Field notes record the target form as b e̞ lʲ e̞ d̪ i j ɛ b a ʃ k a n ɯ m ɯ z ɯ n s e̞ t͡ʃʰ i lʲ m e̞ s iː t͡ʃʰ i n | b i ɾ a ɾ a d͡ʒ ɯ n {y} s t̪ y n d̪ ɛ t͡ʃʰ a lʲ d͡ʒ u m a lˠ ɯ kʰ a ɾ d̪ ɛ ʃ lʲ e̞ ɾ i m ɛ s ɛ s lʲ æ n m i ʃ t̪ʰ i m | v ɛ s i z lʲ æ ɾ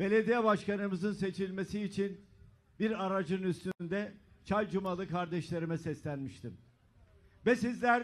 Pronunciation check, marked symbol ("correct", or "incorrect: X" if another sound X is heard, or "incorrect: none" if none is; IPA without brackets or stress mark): correct